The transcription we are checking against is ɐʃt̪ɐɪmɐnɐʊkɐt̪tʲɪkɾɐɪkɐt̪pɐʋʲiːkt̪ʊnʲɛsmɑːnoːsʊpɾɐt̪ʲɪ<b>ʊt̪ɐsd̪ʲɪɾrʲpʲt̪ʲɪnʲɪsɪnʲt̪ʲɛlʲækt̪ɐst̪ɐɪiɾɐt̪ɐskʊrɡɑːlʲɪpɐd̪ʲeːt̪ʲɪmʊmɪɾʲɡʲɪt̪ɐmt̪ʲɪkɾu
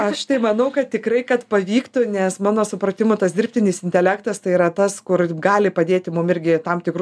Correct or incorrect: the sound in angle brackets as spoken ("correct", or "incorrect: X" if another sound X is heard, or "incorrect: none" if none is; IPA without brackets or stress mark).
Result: incorrect: m